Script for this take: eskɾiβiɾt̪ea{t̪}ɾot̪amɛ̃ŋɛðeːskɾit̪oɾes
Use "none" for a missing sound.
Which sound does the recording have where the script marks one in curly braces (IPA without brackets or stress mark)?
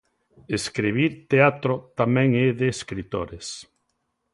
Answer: t̪